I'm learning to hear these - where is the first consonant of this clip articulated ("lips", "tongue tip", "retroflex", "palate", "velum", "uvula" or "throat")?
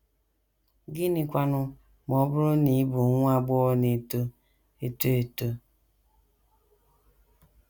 velum